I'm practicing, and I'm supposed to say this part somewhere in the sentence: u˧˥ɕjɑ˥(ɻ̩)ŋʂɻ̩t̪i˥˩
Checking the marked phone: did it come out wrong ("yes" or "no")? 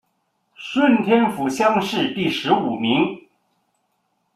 yes